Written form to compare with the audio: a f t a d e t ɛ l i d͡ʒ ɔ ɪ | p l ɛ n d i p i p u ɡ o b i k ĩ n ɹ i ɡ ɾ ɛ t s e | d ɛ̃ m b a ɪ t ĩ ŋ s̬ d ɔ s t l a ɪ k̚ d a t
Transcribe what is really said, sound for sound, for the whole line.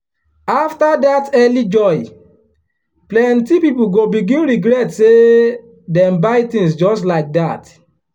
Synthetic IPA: a f t a d a t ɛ l i d͡ʒ ɔ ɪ | p l ɛ n t i p i p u ɡ o b i ɡ ĩ n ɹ i ɡ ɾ ɛ t s e | d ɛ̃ m b a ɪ t ĩ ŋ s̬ d͡ʒ ɔ s t l a ɪ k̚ d a t